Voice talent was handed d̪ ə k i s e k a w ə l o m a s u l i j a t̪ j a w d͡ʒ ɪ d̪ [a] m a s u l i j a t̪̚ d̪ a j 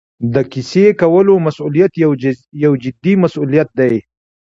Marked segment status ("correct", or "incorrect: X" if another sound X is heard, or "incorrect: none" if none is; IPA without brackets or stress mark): incorrect: i